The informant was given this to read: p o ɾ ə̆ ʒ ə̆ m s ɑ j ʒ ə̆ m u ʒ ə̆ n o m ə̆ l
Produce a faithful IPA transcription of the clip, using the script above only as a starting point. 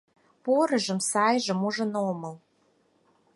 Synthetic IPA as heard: p o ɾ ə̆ ʒ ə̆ m s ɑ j ʒ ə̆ m u ʒ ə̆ n o m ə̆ l